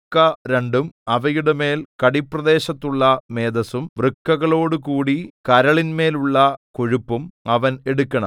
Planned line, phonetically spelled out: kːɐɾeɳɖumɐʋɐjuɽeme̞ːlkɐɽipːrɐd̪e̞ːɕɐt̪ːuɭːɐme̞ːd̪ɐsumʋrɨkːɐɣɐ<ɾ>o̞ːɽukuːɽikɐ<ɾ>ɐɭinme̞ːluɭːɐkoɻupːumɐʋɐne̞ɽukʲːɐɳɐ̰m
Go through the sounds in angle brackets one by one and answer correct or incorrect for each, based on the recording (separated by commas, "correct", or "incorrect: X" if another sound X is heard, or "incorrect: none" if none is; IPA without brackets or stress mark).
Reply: incorrect: ɭ, correct